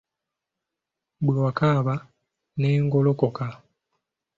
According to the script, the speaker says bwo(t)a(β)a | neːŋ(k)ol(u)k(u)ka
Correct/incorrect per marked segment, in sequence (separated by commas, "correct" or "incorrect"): incorrect, correct, incorrect, incorrect, incorrect